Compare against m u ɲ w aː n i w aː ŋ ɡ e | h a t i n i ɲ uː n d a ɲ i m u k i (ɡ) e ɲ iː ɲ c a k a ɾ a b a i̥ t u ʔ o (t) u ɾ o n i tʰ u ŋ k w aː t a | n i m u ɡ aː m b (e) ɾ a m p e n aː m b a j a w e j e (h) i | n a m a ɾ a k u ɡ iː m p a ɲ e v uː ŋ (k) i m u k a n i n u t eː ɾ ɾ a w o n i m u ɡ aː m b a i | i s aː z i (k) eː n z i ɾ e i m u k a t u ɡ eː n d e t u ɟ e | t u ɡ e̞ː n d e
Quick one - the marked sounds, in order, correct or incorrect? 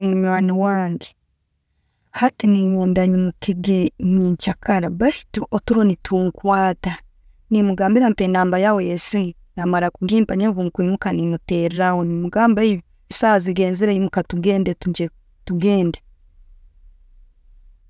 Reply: correct, correct, incorrect: i, incorrect: s, correct, incorrect: ɡ

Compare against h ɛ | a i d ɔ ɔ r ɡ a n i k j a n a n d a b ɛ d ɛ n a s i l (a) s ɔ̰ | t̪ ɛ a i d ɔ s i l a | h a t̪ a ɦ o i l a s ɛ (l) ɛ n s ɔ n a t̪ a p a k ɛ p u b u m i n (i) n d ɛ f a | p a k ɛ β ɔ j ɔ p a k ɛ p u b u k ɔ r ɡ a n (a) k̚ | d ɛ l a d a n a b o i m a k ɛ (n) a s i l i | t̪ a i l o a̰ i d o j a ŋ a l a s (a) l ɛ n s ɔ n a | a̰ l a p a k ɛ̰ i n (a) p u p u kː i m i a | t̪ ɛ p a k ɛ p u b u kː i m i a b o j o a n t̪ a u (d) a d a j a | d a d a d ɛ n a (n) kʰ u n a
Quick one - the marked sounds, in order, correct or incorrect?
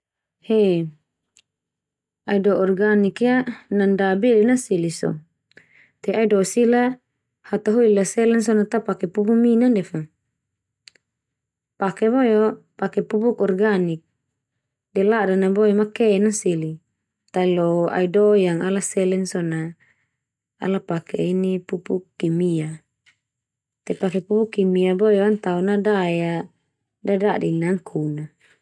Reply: incorrect: i, correct, incorrect: a, incorrect: i, correct, incorrect: ɛ, incorrect: i, incorrect: n, incorrect: ŋ

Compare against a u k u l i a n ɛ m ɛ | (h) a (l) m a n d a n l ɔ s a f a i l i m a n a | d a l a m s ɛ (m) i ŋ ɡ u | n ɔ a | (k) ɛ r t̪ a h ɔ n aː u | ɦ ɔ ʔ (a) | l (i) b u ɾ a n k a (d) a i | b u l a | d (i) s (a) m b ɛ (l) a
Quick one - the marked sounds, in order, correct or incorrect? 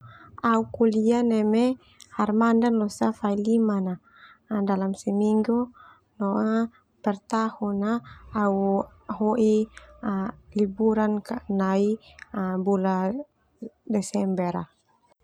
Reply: correct, incorrect: r, correct, incorrect: p, incorrect: i, correct, incorrect: n, incorrect: ɛ, incorrect: ɛ, incorrect: ɾ

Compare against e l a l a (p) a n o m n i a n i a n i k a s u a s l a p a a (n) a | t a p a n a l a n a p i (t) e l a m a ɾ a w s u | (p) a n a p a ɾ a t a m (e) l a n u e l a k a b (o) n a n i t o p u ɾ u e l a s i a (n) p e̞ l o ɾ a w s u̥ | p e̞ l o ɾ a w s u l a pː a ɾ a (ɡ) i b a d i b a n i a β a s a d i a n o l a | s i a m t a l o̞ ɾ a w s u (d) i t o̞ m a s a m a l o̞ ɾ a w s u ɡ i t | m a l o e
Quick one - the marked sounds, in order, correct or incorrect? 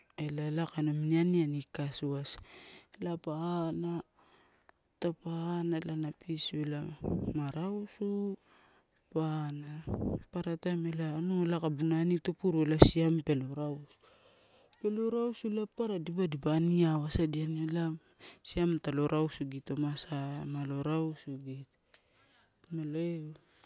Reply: incorrect: k, correct, incorrect: s, correct, correct, incorrect: u, incorrect: m, incorrect: d, incorrect: ɡ

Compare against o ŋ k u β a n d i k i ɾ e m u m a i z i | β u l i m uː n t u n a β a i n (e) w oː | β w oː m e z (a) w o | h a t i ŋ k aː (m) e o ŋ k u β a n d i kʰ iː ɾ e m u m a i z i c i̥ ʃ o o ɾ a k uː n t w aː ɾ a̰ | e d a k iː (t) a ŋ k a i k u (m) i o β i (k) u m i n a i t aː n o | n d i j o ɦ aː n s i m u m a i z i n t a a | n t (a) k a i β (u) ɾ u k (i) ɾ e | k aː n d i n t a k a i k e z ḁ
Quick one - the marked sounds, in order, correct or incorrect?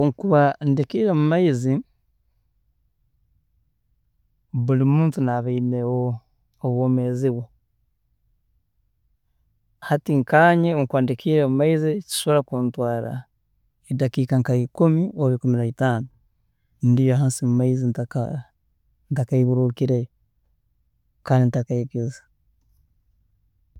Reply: correct, incorrect: i, incorrect: ɲ, incorrect: k, correct, correct, correct, correct, correct

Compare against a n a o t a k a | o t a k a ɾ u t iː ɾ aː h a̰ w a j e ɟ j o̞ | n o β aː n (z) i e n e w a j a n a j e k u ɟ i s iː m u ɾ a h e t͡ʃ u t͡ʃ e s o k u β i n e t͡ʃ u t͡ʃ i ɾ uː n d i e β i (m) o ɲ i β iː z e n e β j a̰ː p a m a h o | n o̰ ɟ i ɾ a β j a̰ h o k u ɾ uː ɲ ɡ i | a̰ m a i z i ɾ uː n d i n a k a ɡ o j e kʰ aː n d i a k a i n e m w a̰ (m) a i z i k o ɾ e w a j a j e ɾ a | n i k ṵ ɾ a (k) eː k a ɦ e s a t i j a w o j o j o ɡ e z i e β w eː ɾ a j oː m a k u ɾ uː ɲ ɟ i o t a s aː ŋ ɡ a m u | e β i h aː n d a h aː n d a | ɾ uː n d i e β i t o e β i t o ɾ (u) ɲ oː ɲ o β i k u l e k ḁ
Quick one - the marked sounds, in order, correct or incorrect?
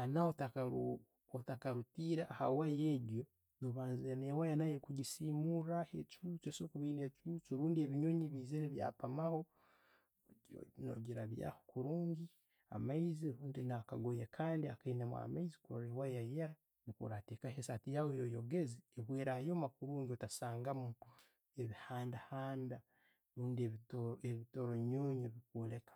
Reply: correct, incorrect: ɲ, correct, incorrect: t, incorrect: o

